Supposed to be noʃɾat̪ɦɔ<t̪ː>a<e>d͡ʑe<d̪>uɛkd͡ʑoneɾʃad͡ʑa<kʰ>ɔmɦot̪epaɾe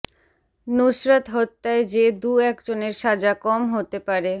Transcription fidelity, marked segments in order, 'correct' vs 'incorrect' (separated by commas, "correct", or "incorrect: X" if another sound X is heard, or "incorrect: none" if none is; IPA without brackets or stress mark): correct, correct, correct, incorrect: k